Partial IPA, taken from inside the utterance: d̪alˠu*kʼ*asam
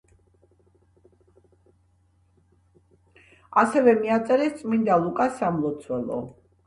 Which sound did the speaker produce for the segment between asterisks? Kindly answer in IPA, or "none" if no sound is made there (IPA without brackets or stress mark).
kʼ